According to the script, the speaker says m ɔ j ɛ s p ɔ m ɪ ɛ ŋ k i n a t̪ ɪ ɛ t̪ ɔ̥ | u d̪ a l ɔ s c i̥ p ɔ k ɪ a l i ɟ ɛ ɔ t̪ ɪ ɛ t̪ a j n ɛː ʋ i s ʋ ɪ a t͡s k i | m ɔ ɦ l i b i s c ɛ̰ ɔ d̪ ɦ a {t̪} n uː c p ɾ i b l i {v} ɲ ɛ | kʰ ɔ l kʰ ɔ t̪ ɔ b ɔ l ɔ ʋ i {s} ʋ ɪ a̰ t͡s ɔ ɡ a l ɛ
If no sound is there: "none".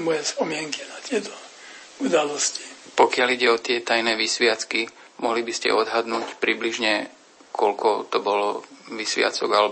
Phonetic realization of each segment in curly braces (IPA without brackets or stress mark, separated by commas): d̪, ʒ, s